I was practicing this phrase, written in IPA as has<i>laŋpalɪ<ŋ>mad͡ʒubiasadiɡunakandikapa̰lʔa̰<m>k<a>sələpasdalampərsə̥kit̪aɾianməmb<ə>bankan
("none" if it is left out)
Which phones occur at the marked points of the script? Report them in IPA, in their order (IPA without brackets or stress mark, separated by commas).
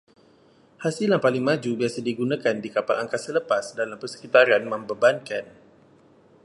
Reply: i, ŋ, ŋ, a, ə